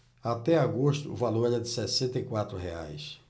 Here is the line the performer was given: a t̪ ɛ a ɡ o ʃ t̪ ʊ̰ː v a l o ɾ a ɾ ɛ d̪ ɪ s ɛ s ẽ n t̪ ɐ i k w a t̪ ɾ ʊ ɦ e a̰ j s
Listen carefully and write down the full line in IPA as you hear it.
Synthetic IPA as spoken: a t̪ ɛ a ɡ o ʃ t̪ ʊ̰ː v a l o ɾ ɛ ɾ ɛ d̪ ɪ s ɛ s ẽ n t̪ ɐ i k w a t̪ ɾ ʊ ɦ e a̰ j s